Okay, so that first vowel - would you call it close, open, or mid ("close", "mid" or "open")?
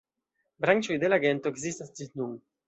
open